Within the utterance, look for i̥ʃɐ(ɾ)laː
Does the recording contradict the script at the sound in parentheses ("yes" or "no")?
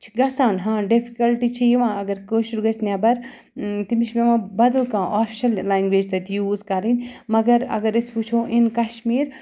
yes